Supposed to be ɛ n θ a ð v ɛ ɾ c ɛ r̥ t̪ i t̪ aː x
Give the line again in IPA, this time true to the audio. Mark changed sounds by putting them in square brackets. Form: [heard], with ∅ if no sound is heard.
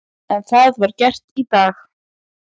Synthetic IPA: ɛ n θ a ð v [a] ɾ c ɛ r̥ t̪ i t̪ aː x